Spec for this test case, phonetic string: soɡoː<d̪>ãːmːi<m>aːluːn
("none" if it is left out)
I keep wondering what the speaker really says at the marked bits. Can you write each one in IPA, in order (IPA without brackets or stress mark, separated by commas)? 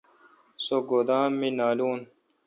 d̪, n